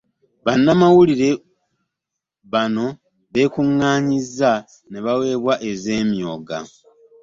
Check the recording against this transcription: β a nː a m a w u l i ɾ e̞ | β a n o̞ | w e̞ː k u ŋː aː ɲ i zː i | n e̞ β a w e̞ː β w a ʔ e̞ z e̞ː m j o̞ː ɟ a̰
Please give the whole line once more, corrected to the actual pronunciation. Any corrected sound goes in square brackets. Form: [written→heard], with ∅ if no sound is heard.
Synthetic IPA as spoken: β a nː a m a w u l i ɾ e̞ | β a n o̞ | [w→β] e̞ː k u ŋː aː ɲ i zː [i→a] | n e̞ β a w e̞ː β w a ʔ e̞ z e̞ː m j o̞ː [ɟ→ɡ] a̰